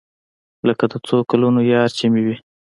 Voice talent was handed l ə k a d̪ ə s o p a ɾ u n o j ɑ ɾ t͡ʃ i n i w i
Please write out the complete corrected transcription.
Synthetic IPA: l ə k a d̪ ə t͡s o k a l u n o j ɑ ɾ t͡ʃ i m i w i